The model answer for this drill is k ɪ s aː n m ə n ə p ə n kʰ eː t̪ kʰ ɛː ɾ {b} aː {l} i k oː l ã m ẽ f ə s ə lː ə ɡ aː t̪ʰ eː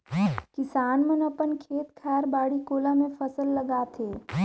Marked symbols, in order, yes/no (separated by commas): yes, no